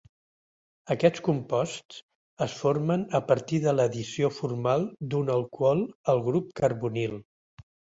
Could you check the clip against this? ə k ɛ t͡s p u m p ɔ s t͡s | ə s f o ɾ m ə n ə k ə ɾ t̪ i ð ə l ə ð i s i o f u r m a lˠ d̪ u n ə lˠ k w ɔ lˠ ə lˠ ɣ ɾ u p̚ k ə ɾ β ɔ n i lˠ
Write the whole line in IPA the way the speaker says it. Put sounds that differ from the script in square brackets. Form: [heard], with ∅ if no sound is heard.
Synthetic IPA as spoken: ə k ɛ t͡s [k] u m p ɔ s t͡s | ə s f o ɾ m ə n ə [p] ə ɾ t̪ i ð ə l ə ð i s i o f u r m a lˠ d̪ u n ə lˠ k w ɔ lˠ ə lˠ ɣ ɾ u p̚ k ə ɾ β [u] n i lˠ